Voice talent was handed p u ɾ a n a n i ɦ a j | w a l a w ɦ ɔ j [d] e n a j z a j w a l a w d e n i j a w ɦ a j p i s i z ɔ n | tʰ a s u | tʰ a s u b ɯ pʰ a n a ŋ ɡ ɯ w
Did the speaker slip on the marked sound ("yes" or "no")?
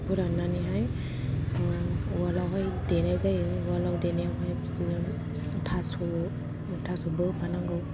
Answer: no